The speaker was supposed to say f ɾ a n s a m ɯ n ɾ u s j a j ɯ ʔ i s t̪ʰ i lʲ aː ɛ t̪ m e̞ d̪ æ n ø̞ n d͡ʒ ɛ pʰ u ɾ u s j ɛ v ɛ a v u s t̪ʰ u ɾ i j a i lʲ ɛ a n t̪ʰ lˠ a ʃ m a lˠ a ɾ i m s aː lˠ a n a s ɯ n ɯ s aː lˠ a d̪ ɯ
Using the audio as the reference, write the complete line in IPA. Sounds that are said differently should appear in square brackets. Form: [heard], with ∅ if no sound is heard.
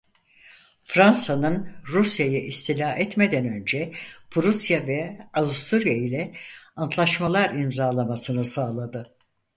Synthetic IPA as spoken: f ɾ a n s a [n] ɯ n ɾ u s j a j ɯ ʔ i s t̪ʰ i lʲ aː ɛ t̪ m e̞ d̪ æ n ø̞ n d͡ʒ ɛ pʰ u ɾ u s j [a] v ɛ a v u s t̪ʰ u ɾ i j a i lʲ ɛ a n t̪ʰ lˠ a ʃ m a lˠ a ɾ i m [z] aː lˠ a [m] a s ɯ n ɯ s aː lˠ a d̪ ɯ

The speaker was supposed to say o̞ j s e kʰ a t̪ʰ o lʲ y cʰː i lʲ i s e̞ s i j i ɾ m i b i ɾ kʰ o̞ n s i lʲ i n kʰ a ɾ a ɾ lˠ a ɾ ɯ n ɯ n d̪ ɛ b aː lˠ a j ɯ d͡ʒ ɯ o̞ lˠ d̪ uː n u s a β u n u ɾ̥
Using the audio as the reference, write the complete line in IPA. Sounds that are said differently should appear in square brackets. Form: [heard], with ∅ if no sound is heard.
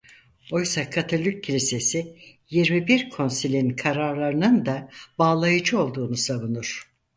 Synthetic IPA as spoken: o̞ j s [a] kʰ a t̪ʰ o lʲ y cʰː i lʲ i s e̞ s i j i ɾ m i b i ɾ kʰ o̞ n s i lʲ i n kʰ a ɾ a ɾ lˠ a ɾ ɯ n ɯ n d̪ [a] b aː lˠ a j ɯ d͡ʒ ɯ o̞ lˠ d̪ uː n u s a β u n u ɾ̥

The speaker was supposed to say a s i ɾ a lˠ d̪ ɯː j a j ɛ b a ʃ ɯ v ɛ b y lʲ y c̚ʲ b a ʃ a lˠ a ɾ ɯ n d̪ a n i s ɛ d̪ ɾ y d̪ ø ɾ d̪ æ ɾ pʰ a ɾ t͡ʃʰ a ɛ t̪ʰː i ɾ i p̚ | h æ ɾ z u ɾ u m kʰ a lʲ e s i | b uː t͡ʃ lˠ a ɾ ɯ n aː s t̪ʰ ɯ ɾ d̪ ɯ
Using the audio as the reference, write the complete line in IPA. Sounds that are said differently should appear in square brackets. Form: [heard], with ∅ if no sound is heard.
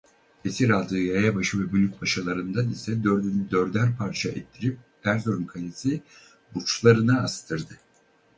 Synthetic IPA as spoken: [e] s i ɾ a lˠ d̪ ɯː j a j [a] b a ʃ ɯ v ɛ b y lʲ y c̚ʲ b a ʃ a lˠ a ɾ ɯ n d̪ a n i s ɛ d̪ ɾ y d̪ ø ɾ d̪ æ ɾ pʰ a ɾ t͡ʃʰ a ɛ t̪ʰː i ɾ i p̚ | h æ ɾ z [o] ɾ u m kʰ a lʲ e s i | b [u] t͡ʃ lˠ a ɾ ɯ n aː s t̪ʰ ɯ ɾ d̪ ɯ

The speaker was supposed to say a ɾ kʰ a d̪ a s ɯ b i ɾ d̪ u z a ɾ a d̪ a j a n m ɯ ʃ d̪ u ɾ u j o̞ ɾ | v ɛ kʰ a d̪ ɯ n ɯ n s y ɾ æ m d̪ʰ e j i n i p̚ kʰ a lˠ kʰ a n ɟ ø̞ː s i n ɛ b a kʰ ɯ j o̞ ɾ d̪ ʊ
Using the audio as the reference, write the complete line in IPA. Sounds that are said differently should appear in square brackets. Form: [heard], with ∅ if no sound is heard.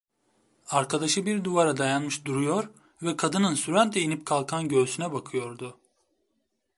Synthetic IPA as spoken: a ɾ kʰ a d̪ a [ʃ] ɯ b i ɾ d̪ u [v] a ɾ a d̪ a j a n m ɯ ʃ d̪ u ɾ u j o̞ ɾ | v ɛ kʰ a d̪ ɯ n ɯ n s y ɾ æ [n] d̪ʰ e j i n i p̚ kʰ a lˠ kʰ a n ɟ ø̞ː s [y] n ɛ b a kʰ ɯ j o̞ ɾ d̪ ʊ

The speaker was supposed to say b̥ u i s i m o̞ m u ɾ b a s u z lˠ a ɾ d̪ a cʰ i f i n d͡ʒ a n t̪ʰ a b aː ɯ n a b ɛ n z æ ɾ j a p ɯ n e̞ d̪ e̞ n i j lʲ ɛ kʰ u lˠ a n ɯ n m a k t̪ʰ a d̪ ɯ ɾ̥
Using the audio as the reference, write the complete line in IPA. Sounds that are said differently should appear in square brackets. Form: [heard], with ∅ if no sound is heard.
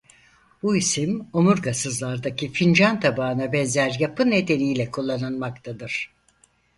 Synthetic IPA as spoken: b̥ u i s i m o̞ m u ɾ [ɡ] a s [ɯ] z lˠ a ɾ d̪ a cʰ i f i n d͡ʒ a n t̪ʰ a b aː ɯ n a b ɛ n z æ ɾ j a p ɯ n e̞ d̪ e̞ n i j lʲ ɛ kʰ u [lˠː] a n ɯ n m a k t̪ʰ a d̪ ɯ ɾ̥

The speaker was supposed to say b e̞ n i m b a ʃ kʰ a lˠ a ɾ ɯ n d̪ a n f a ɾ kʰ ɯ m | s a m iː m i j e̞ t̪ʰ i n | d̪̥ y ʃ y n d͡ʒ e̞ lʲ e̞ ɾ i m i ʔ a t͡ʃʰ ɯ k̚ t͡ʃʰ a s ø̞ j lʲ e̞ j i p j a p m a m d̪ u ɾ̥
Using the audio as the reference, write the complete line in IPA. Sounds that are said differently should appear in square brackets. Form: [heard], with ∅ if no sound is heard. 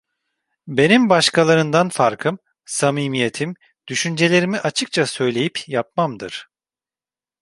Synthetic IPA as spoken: b e̞ n i m b a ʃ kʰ a lˠ a ɾ ɯ n d̪ a n f a ɾ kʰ ɯ m | s a m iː m i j e̞ t̪ʰ i [m] | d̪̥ y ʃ y n d͡ʒ e̞ lʲ e̞ ɾ i m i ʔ a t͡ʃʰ ɯ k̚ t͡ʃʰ a s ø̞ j lʲ e̞ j i p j a p m a m d̪ [ɯ] ɾ̥

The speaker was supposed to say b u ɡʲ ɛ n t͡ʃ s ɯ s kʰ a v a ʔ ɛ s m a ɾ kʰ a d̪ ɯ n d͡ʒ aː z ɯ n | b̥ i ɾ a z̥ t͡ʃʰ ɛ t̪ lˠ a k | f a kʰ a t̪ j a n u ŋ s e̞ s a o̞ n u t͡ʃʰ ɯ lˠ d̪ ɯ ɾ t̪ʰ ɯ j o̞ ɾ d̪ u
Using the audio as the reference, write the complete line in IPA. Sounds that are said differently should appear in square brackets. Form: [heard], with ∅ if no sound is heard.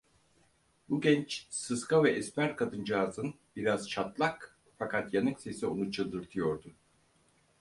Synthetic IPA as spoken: b u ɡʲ ɛ n t͡ʃ s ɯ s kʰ a v [ɛ] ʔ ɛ s m [æ] ɾ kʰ a d̪ ɯ n d͡ʒ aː z ɯ n | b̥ i ɾ a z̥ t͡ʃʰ [a] t̪ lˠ a k | f a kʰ a t̪ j a n [ɯ] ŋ s e̞ s [i] o̞ n u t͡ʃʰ ɯ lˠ d̪ ɯ ɾ t̪ʰ ɯ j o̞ ɾ d̪ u

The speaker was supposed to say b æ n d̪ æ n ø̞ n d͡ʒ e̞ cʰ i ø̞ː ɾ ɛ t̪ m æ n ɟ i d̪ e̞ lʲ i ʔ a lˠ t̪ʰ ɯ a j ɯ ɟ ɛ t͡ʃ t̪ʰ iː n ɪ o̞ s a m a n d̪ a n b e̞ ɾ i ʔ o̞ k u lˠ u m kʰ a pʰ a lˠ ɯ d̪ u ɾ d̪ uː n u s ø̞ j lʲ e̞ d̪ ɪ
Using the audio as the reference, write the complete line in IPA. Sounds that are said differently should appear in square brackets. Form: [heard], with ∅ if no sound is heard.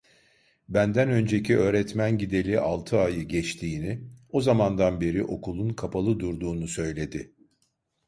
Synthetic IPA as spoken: b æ n d̪ æ n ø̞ n d͡ʒ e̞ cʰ i ø̞ː ɾ ɛ t̪ m æ n ɟ i d̪ e̞ lʲ i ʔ a lˠ t̪ʰ ɯ a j ɯ ɟ ɛ t͡ʃ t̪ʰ iː n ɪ o̞ [z] a m a n d̪ a n b e̞ ɾ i ʔ o̞ k u lˠ u [n] kʰ a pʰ a lˠ ɯ d̪ u ɾ d̪ uː n u s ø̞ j lʲ e̞ d̪ ɪ

